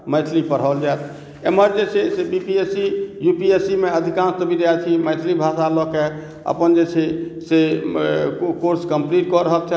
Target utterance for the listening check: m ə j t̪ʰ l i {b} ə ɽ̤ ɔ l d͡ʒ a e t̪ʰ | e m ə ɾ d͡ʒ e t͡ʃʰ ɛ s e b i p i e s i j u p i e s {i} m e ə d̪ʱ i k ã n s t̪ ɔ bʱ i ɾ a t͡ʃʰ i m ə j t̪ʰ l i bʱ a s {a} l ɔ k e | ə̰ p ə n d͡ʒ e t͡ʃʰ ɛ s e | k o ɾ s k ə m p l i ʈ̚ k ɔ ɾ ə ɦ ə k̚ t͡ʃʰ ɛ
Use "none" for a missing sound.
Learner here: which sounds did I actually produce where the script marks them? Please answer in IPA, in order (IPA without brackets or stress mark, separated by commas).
p, i, a